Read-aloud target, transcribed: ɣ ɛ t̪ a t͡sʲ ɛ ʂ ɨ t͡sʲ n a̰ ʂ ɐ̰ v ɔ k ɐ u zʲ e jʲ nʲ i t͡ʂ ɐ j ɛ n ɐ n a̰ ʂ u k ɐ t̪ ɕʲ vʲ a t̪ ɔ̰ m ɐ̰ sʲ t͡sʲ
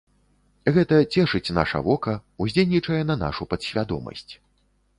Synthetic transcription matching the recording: ɣ ɛ t̪ ɐ t͡sʲ ɛ ʂ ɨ t͡sʲ n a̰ ʂ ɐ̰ v ɔ k ɐ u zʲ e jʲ nʲ i t͡ʂ ɐ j ɛ n ɐ n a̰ ʂ u p ɐ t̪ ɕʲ vʲ a d̪ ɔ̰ m ɐ̰ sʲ t͡sʲ

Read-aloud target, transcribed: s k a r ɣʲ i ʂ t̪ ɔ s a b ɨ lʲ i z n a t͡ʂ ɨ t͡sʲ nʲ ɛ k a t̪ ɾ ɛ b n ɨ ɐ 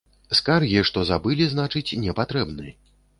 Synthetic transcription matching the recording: s k a r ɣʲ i ʂ t̪ ɔ z a b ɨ lʲ i z n a t͡ʂ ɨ t͡sʲ nʲ ɛ p a t̪ ɾ ɛ b n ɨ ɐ

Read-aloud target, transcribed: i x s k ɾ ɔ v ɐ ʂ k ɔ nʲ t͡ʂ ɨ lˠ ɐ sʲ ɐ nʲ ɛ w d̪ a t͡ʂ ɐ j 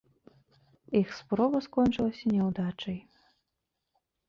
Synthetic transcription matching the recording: i x s p ɾ ɔ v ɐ s k ɔ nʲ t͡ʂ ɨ lˠ ɐ sʲ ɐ nʲ ɛ w d̪ a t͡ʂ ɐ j

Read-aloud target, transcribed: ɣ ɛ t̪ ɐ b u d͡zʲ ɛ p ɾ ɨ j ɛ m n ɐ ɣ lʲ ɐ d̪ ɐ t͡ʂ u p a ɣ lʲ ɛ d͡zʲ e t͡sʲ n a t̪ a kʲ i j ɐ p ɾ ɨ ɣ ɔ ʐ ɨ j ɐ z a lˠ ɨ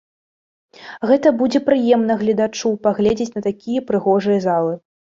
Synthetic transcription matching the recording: ɣ ɛ t̪ ɐ b u d͡zʲ ɛ p ɾ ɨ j ɛ m n ɐ ɣ lʲ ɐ d̪ a t͡ʂ u p a ɣ lʲ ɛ d͡zʲ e t͡sʲ n ɐ t̪ a kʲ i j ɐ p ɾ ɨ ɣ ɔ ʐ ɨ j ɐ z a lˠ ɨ

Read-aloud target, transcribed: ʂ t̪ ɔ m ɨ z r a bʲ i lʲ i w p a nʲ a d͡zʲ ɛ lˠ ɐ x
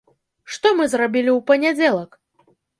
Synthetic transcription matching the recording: ʂ t̪ ɔ m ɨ z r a bʲ i lʲ i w p ɐ nʲ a d͡zʲ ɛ lˠ ɐ k

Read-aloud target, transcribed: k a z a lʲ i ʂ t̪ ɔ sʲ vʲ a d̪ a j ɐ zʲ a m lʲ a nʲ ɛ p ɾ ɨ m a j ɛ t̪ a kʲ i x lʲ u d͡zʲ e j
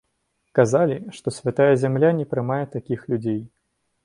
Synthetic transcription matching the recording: k a z a lʲ i ʂ t̪ ɔ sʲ vʲ a t̪ a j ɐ zʲ a m lʲ a nʲ ɛ p ɾ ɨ m a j ɛ t̪ a kʲ i x lʲ u d͡zʲ e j

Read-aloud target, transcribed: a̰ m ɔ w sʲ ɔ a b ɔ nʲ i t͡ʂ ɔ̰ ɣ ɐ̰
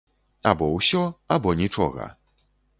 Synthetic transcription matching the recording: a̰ b ɔ w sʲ ɔ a b ɔ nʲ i t͡ʂ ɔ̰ ɣ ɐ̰

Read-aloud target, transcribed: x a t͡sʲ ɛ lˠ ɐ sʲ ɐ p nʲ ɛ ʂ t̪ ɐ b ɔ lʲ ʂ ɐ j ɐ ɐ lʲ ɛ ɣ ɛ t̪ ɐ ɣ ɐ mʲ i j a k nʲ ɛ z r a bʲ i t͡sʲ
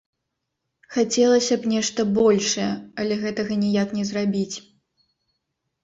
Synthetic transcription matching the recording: x a t͡sʲ ɛ lˠ ɐ sʲ ɐ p nʲ ɛ ʂ t̪ ɐ b ɔ lʲ ʂ ɐ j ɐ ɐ lʲ ɛ ɣ ɛ t̪ ɐ ɣ ɐ nʲ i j a k nʲ ɛ z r a bʲ i t͡sʲ

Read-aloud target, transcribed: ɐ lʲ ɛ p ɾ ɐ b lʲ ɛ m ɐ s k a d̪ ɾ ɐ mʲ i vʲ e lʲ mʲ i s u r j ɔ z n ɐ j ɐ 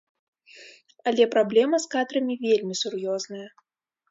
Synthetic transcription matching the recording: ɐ lʲ ɛ p ɾ a b lʲ ɛ m ɐ s k a d̪ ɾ ɐ mʲ i vʲ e lʲ mʲ i s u r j ɔ z n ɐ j ɐ

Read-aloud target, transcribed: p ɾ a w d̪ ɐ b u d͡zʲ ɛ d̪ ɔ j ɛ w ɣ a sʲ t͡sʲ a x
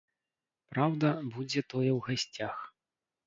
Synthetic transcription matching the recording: p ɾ a w d̪ ɐ b u d͡zʲ ɛ t̪ ɔ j ɛ w ɣ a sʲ t͡sʲ a x

